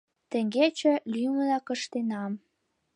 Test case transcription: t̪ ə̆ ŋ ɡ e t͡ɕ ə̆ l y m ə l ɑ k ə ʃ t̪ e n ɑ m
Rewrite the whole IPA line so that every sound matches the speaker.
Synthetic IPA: t̪ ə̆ ŋ ɡ e t͡ɕ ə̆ l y m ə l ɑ k ə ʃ t̪ e n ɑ m